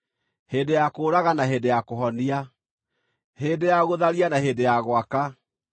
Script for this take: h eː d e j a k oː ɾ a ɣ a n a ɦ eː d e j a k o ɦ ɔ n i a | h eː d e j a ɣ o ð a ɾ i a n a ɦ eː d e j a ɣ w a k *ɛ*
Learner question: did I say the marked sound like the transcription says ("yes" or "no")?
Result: no